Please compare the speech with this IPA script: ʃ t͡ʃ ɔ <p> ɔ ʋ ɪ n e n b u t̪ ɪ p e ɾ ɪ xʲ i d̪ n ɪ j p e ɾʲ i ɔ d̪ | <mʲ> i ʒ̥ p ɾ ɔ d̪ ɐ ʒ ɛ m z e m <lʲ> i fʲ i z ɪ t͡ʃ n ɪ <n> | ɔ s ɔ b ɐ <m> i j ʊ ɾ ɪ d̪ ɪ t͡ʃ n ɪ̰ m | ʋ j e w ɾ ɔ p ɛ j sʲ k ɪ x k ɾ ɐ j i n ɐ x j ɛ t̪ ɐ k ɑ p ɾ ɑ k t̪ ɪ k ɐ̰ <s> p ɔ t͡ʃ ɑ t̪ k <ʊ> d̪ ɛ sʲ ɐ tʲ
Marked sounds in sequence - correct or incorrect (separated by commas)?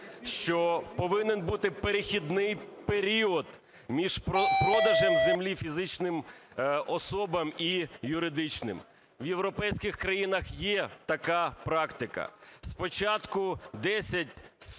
correct, correct, correct, incorrect, correct, correct, correct